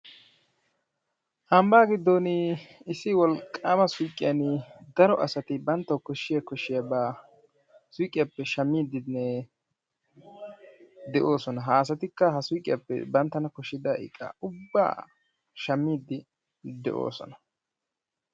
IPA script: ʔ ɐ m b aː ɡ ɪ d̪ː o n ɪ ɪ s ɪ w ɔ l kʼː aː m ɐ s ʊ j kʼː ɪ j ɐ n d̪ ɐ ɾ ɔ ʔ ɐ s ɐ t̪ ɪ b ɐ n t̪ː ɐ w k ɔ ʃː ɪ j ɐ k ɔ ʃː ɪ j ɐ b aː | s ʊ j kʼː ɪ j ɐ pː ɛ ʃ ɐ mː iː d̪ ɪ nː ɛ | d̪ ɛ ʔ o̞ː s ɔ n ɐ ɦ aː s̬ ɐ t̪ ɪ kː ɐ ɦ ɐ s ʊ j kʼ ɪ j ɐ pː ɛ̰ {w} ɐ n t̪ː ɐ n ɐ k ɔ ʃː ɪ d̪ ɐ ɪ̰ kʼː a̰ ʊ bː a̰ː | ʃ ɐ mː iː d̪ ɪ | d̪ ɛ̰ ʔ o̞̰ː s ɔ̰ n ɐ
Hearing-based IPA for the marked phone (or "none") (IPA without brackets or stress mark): b